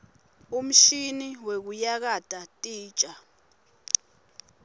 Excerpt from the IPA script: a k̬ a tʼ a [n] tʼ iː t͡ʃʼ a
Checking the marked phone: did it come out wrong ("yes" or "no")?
yes